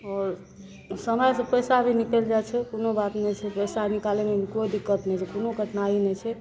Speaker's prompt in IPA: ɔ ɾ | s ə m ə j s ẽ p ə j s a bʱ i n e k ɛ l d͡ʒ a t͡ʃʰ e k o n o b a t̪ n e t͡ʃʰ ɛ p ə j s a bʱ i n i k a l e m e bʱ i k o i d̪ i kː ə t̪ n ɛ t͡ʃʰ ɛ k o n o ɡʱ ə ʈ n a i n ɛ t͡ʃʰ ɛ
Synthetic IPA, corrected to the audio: ɔ ɾ | s ə m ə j s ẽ p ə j s a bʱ i n i k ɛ l d͡ʒ a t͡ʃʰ ɛ k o n o b a t̪ n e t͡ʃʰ ɛ p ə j s a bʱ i n i k a l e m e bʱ i k o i d̪ i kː ə t̪ n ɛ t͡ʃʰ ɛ k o n o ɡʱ ə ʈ n a i n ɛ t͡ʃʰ ɛ